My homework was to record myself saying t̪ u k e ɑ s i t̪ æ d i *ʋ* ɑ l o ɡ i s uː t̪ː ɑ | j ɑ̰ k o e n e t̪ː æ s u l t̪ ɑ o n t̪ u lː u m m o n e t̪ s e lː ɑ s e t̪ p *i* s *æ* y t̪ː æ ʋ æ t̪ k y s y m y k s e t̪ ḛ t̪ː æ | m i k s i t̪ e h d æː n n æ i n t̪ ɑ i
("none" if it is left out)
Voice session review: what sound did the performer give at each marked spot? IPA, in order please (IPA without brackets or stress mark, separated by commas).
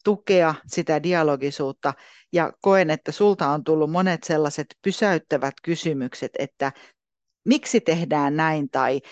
none, y, æ